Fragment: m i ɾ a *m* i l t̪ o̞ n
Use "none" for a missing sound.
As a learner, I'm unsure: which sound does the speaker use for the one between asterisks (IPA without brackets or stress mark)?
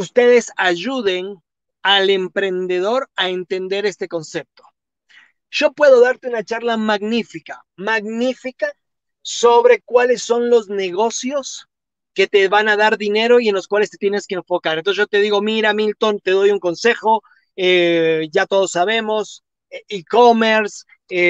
m